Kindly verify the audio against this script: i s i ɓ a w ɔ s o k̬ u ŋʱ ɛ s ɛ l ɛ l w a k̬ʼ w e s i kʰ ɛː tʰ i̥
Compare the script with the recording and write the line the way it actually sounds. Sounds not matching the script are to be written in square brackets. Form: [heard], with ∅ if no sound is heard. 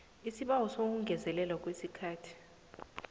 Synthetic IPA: i s i ɓ a w ɔ s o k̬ u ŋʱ ɛ [z] ɛ l ɛ l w a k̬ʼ w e s i kʰ [aː] tʰ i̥